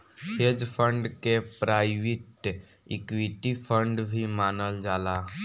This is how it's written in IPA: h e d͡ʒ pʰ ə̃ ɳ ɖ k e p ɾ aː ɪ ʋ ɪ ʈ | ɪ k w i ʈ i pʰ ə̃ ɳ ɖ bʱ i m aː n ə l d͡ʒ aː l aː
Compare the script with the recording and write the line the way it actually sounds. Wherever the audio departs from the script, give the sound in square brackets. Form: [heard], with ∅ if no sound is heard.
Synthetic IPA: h e d͡ʒ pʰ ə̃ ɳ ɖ k e p ɾ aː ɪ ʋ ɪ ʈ | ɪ k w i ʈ i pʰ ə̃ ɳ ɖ bʱ i m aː n ə l d͡ʒ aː l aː